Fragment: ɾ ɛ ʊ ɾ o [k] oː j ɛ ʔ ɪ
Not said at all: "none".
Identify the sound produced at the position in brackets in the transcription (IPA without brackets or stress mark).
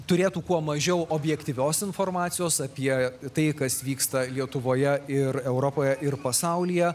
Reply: p